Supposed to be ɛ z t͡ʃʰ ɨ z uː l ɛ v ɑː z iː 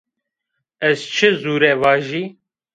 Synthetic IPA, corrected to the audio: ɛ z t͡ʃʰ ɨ z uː ɾ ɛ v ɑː ʒ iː